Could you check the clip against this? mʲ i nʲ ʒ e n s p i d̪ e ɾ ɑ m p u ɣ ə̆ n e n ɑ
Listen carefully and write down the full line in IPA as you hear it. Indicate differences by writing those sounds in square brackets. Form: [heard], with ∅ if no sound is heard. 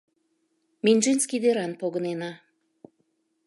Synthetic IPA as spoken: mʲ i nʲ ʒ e n s [k] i d̪ e ɾ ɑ [n] p [o] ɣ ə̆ n e n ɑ